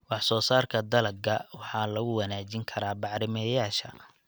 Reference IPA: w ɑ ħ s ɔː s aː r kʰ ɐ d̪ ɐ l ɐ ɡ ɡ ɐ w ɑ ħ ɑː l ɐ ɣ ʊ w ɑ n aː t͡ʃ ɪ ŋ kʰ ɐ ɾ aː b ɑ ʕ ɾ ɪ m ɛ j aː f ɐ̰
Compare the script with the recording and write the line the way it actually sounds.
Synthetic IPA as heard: w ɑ ħ s ɔː s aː r kʰ ɐ d̪ ɐ l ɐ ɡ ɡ ɐ w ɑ ħ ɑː l ɐ ɣ ʊ w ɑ n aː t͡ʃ ɪ ŋ kʰ ɐ ɾ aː b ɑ ʕ ɾ ɪ m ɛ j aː ʃ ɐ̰